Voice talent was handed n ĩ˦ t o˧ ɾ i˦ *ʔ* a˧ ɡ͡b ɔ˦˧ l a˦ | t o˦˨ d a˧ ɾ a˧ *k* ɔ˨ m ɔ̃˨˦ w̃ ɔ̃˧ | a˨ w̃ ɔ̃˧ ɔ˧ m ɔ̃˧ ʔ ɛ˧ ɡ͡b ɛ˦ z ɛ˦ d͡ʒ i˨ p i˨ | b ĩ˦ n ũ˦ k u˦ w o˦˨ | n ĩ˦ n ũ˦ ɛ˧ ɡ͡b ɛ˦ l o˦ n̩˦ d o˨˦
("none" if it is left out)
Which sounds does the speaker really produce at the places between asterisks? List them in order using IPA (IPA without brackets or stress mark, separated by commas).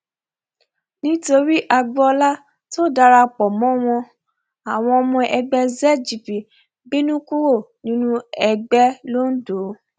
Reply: ʔ, k͡p